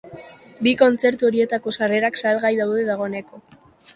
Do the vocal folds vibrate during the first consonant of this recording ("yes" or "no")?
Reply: yes